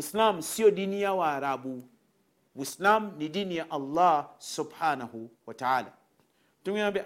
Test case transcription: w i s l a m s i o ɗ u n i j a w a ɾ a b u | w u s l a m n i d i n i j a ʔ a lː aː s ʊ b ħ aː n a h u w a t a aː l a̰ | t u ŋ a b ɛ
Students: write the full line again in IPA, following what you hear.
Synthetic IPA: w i s l a m s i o d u n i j a w a ɾ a b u | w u s l a m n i d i n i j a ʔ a lː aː s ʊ b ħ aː n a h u w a t a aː l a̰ | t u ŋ a b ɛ